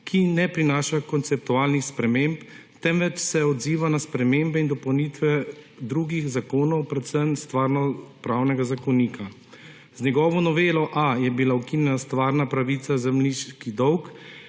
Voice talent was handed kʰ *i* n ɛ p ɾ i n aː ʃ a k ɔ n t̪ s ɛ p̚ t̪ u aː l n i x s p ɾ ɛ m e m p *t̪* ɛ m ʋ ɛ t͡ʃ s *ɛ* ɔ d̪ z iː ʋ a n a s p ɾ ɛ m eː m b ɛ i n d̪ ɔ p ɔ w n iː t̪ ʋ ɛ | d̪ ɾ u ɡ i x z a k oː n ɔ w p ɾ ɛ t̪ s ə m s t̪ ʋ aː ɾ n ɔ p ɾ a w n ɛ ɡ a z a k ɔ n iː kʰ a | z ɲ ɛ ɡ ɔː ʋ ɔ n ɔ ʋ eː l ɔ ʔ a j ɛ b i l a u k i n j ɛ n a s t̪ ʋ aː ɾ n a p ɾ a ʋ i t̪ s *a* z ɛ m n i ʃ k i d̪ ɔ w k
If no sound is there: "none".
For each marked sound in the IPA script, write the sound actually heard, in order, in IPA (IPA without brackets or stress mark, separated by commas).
i, t̪, ɛ, a